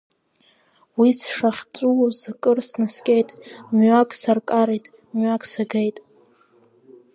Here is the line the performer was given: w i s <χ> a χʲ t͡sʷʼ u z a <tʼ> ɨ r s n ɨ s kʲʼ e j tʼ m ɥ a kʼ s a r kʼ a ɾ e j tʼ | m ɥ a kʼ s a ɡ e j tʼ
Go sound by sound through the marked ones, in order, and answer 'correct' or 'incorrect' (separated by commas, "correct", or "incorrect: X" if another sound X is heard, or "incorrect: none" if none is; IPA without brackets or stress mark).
incorrect: ʂ, incorrect: kʼ